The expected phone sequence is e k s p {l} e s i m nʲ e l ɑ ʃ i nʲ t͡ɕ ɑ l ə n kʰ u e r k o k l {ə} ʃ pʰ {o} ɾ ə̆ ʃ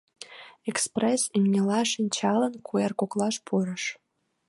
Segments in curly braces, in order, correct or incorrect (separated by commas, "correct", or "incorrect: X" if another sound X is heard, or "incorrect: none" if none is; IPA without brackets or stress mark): incorrect: r, incorrect: ɑ, incorrect: u